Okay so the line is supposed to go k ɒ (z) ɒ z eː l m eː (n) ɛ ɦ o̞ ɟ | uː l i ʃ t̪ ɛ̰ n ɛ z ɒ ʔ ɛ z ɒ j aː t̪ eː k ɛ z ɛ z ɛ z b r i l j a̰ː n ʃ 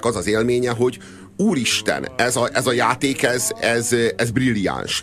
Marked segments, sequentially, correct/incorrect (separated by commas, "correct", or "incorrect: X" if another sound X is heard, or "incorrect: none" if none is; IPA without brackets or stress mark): correct, incorrect: ɲ